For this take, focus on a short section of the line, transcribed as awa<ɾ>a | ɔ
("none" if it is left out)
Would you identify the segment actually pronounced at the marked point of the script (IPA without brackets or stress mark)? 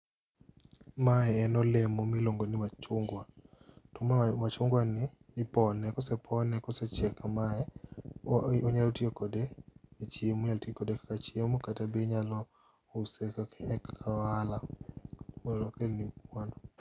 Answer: l